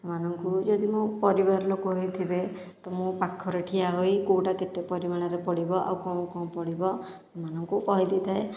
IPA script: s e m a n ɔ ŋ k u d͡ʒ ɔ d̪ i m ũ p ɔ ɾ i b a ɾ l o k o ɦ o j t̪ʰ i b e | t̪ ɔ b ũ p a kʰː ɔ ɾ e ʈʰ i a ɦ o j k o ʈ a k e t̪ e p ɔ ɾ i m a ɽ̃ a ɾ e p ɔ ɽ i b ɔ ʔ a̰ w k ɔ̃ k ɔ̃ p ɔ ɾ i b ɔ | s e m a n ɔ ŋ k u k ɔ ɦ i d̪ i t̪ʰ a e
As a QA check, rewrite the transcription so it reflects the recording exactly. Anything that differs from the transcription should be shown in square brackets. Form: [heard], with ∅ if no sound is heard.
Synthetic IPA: s e m a n ɔ ŋ k u d͡ʒ ɔ d̪ i m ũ p ɔ ɾ i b a ɾ l o k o ɦ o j t̪ʰ i b e | t̪ ɔ [m] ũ p a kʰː ɔ ɾ e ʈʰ i a ɦ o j k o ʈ a k e t̪ e p ɔ ɾ i m a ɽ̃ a ɾ e p ɔ ɽ i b ɔ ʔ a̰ w k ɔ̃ k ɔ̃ p ɔ [ɽ] i b ɔ | s e m a n ɔ ŋ k u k ɔ ɦ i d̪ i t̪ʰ a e